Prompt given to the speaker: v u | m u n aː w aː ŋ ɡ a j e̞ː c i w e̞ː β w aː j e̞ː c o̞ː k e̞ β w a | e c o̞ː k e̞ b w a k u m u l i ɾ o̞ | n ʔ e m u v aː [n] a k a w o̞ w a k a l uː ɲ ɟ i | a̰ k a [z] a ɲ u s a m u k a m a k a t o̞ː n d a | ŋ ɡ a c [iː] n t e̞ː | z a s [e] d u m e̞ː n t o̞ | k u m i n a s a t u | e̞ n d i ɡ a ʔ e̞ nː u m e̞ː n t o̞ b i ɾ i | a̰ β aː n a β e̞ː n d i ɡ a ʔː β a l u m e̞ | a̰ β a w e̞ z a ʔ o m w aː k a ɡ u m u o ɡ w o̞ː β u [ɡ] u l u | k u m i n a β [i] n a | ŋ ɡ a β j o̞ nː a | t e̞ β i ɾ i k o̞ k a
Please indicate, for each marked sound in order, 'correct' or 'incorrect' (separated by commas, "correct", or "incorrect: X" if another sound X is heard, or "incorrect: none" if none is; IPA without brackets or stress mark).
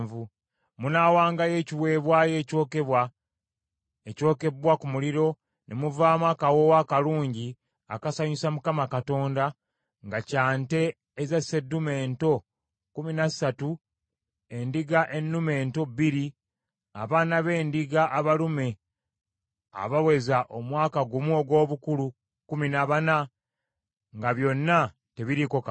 incorrect: m, incorrect: s, incorrect: aː, correct, incorrect: k, incorrect: a